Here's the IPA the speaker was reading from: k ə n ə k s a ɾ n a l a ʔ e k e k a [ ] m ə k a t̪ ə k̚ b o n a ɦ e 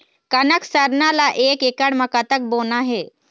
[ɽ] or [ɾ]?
ɽ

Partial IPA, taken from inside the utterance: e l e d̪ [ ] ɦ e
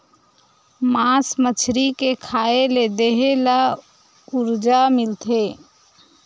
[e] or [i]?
e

